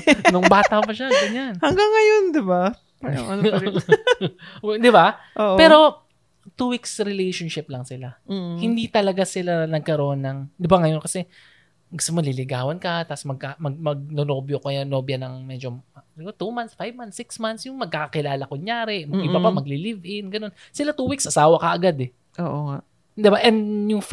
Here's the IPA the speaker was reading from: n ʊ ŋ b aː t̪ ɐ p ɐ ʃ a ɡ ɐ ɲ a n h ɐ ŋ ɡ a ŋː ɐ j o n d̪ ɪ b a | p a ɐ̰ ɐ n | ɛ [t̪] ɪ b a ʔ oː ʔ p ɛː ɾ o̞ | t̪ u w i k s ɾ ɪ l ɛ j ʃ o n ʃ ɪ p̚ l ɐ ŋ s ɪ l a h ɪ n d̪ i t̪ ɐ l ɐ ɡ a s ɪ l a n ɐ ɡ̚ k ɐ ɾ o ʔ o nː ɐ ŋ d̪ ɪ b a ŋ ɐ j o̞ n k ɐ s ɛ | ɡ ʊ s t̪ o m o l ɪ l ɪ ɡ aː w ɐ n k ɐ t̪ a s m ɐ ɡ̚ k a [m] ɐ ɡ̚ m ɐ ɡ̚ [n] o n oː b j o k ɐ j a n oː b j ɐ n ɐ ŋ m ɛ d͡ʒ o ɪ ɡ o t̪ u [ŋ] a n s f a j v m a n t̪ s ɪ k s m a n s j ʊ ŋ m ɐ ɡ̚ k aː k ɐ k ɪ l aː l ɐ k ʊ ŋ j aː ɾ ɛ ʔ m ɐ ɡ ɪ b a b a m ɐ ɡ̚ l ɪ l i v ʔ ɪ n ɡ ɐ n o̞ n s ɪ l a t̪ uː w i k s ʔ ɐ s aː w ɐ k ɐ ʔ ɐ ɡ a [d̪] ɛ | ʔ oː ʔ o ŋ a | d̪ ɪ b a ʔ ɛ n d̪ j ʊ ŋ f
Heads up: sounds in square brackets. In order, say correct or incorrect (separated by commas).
incorrect, correct, correct, incorrect, correct